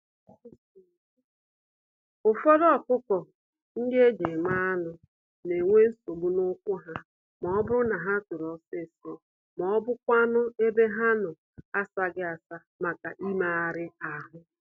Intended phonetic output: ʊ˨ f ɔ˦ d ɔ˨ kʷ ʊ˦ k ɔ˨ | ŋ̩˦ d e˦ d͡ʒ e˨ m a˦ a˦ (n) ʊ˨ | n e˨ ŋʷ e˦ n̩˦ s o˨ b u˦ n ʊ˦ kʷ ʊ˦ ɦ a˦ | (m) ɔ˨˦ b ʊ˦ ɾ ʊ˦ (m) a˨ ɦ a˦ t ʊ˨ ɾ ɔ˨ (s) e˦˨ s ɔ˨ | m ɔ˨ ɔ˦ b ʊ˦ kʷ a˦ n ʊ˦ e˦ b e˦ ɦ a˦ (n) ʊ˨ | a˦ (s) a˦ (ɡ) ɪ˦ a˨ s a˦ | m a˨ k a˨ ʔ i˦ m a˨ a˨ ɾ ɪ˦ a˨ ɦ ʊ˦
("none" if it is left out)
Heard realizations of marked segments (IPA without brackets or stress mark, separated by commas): n, m, n, s, n, s, ɡ